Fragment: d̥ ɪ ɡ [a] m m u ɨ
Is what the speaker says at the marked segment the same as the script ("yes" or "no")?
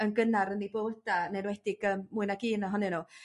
no